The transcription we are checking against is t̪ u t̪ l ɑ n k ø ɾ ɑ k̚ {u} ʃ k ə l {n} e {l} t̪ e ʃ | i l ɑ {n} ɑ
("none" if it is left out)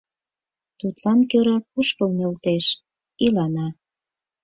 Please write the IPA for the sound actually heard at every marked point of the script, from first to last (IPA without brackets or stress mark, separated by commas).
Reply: u, n, l, n